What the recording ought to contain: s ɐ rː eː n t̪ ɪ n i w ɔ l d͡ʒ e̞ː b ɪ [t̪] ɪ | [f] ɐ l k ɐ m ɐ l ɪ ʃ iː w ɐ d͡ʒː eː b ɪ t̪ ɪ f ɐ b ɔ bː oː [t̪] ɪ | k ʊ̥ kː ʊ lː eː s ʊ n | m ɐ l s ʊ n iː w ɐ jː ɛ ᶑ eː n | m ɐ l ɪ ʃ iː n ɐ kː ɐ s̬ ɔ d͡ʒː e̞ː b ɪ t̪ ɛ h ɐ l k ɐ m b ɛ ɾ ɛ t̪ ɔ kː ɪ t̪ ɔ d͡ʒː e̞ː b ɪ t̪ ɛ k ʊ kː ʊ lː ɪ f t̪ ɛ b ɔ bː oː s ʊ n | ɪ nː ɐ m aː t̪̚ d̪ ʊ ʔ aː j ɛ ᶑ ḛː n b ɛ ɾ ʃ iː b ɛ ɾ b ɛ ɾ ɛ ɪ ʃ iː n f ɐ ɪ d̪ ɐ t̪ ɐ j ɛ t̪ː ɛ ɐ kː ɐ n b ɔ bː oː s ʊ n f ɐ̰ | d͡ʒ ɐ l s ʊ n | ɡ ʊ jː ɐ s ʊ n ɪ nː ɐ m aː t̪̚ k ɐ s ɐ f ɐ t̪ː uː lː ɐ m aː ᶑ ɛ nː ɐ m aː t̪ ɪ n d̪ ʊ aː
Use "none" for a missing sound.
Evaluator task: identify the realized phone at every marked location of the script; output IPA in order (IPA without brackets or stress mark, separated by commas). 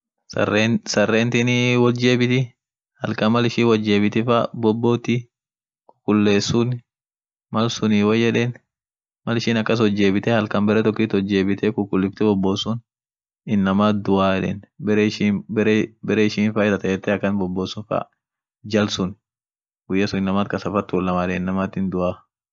t̪, h, t̪